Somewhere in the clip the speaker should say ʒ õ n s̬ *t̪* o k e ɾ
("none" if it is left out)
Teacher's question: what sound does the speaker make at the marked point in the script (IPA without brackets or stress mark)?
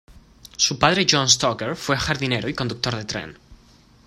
t̪